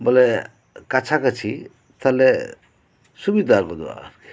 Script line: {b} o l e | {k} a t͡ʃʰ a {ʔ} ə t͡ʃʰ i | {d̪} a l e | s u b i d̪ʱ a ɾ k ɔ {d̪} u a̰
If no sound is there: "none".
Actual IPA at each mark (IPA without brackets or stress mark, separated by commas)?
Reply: b, k, k, t̪, d̪